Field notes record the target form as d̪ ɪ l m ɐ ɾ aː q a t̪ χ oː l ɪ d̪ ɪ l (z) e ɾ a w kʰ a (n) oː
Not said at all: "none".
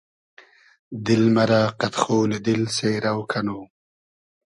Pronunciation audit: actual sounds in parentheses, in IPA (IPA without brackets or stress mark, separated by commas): s, n